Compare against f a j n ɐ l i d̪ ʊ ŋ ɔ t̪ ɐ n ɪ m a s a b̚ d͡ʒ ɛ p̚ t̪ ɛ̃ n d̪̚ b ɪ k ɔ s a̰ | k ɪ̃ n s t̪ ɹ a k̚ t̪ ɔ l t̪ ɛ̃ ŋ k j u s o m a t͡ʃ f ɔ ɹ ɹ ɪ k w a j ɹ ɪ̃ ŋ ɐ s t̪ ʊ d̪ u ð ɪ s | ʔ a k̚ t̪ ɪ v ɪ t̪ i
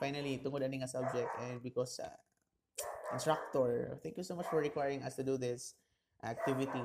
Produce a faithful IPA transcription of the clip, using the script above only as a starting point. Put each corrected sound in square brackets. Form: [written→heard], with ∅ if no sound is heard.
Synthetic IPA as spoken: f a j n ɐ l i [d̪→t̪] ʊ ŋ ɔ [t̪→d̪] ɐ n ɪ [m→ŋ] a s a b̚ d͡ʒ ɛ [p̚→k̚] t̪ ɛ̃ n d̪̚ b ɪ k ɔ s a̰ | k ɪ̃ n s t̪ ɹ a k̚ t̪ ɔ [l→ɹ] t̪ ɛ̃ ŋ k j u s o m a t͡ʃ f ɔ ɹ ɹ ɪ k w a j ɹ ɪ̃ ŋ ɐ s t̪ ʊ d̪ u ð ɪ s | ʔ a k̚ t̪ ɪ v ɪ t̪ i